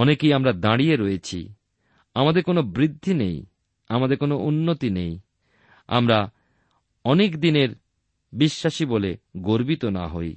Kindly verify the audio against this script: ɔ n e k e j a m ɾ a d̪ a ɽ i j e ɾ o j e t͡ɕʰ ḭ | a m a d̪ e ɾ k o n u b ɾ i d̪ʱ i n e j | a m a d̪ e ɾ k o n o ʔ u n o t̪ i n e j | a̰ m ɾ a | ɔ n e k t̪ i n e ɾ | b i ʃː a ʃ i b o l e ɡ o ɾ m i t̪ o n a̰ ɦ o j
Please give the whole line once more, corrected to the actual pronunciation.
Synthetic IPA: ɔ n e k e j a m ɾ a d̪ a ɽ i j e ɾ o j e t͡ɕʰ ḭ | a m a d̪ e ɾ k o n o b ɾ i d̪ʱː i n e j | a m a d̪ e ɾ k o n o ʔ u nː o t̪ i n e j | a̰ m ɾ a | ɔ n e k d̪ i n e ɾ | b i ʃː a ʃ i b o l e ɡ o ɾ b i t̪ o n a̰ ɦ o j